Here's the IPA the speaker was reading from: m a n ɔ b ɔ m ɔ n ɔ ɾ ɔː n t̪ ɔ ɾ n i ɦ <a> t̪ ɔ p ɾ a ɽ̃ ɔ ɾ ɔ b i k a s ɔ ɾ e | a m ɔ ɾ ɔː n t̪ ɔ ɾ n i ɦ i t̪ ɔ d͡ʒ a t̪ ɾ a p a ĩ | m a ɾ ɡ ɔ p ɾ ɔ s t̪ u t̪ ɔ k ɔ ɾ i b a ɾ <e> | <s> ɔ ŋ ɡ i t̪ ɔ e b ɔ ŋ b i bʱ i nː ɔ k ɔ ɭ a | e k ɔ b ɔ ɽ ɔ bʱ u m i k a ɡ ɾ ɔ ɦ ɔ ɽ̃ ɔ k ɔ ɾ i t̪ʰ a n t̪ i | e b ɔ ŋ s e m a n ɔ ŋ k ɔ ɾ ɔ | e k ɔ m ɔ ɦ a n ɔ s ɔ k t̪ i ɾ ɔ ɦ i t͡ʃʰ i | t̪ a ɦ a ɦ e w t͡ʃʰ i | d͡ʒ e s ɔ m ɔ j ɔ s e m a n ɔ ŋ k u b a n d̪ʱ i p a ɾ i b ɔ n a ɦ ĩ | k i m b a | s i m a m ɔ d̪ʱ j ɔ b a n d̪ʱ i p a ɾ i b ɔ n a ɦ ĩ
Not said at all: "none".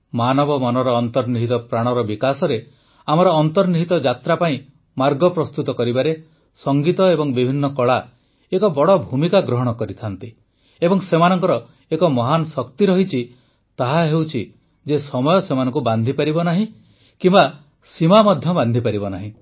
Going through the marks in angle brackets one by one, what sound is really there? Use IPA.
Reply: i, e, s

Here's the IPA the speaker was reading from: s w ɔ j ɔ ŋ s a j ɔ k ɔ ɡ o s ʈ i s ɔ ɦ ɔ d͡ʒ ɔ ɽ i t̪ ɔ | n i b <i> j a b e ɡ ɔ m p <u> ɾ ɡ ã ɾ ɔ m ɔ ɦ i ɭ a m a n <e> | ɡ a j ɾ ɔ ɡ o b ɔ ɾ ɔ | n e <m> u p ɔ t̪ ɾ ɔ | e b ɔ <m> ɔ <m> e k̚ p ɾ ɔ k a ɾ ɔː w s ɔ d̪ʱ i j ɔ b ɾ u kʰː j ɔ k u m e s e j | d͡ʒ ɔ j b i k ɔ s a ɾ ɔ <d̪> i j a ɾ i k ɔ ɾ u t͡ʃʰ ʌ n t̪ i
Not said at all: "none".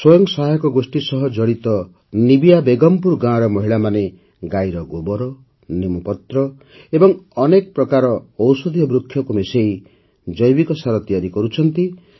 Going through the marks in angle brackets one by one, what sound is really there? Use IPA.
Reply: i, u, e, m, ŋ, n, t̪

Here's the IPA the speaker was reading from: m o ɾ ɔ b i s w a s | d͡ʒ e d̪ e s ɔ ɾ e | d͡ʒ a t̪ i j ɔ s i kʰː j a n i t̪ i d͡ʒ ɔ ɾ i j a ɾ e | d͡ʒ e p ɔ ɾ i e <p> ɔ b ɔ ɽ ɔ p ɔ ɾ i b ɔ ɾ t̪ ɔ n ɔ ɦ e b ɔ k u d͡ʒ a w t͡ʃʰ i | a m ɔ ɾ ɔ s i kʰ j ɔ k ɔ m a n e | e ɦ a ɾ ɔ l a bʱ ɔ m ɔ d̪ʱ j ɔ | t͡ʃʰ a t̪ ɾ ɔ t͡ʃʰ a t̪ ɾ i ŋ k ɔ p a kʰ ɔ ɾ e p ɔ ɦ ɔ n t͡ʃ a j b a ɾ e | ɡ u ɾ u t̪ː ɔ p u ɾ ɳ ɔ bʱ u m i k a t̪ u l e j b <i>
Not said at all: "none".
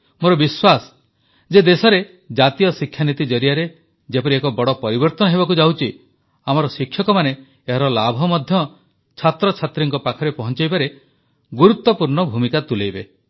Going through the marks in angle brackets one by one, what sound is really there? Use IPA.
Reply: k, e

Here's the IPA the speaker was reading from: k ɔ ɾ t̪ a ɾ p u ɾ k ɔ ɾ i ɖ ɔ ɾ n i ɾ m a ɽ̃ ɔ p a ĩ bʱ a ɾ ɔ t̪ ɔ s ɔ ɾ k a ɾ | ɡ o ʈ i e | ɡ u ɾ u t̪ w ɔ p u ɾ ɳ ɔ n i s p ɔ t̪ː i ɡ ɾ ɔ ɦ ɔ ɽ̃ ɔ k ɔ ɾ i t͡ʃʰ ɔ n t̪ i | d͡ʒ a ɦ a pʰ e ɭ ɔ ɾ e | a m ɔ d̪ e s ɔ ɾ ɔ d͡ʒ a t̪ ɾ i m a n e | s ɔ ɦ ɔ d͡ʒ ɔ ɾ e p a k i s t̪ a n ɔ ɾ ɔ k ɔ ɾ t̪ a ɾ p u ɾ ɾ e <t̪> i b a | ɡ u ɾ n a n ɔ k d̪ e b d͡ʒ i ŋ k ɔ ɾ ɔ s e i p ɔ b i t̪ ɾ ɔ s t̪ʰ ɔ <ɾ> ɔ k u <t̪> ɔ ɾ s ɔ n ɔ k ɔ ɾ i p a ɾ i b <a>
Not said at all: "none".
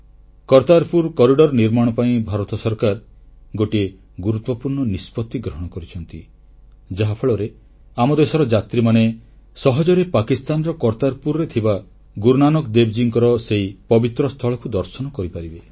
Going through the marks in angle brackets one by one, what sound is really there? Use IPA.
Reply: t̪ʰ, ɭ, d̪, e

